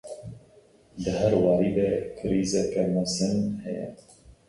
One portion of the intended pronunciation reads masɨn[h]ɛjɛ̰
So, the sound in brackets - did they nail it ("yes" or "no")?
yes